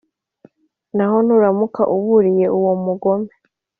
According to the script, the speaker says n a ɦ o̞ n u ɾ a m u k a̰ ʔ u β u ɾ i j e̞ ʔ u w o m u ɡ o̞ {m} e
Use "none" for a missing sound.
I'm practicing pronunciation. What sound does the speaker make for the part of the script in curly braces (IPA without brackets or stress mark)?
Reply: m